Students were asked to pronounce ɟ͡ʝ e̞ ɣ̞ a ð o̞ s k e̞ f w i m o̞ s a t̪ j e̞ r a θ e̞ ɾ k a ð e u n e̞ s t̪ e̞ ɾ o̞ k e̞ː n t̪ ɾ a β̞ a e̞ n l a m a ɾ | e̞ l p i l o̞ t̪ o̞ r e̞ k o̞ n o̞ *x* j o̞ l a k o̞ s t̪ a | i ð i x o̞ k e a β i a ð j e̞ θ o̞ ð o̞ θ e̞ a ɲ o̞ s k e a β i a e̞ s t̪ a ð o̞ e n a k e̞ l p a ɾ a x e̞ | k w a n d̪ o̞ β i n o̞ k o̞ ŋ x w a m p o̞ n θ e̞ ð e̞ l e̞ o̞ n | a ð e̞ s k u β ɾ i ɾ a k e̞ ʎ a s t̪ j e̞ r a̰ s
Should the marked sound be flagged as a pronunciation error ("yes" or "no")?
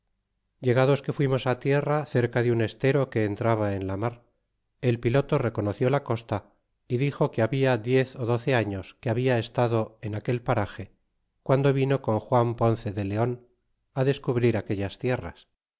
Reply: yes